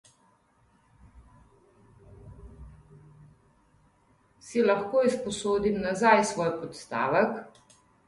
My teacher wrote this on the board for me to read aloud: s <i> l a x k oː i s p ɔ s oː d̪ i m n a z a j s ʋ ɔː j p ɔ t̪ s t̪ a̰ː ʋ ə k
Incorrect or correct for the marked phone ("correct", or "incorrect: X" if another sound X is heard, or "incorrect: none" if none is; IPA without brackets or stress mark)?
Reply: correct